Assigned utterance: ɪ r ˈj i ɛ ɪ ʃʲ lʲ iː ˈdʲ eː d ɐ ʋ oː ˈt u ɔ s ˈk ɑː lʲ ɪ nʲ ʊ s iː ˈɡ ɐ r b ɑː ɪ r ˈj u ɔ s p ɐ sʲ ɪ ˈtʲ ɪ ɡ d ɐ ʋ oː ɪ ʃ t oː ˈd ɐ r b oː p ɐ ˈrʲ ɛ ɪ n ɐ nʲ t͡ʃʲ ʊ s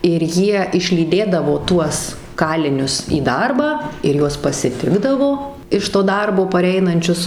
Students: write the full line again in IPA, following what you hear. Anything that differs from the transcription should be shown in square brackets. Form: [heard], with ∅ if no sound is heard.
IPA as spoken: ɪ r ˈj i ɛ ɪ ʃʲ lʲ iː ˈdʲ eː d ɐ ʋ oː ˈt u ɔ s ˈk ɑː lʲ ɪ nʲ ʊ s iː [ˈd] ɐ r b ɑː ɪ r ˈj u ɔ s p ɐ sʲ ɪ ˈtʲ ɪ ɡ d ɐ ʋ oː ɪ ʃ t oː ˈd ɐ r b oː p ɐ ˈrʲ ɛ ɪ n ɐ nʲ t͡ʃʲ ʊ s